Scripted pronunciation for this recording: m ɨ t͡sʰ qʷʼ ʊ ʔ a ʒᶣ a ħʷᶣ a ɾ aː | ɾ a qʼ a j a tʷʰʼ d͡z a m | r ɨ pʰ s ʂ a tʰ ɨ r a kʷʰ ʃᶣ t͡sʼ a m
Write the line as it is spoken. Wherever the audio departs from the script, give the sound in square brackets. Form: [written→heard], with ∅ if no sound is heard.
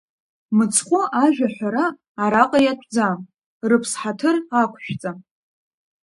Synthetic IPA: m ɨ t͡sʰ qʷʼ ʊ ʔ a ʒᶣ a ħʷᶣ a ɾ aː | ɾ a qʼ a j a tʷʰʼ d͡z a m | r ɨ pʰ s [ʂ→ħ] a tʰ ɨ r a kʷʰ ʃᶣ t͡sʼ a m